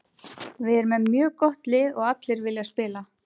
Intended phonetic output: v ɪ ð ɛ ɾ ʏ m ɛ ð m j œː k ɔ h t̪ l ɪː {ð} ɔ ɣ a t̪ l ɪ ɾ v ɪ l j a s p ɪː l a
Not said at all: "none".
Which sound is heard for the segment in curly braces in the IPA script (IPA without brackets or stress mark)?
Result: ð